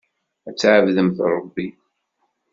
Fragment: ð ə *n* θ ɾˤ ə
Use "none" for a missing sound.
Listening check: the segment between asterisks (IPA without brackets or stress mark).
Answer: m